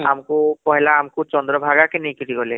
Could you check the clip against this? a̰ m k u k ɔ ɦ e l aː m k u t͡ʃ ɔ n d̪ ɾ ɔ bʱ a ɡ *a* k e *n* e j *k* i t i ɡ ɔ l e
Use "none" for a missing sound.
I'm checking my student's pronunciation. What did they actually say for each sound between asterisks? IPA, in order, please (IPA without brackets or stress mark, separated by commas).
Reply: a, n, k